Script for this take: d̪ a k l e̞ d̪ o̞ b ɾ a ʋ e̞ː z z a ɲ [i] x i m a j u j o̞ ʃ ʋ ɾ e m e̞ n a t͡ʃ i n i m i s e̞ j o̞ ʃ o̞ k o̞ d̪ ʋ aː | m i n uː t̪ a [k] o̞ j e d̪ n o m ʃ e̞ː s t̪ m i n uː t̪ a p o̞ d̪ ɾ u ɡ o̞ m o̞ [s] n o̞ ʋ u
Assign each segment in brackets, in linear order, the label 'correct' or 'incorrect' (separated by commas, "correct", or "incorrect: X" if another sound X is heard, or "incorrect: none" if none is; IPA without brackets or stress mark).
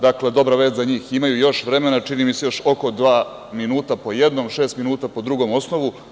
incorrect: iː, incorrect: p, correct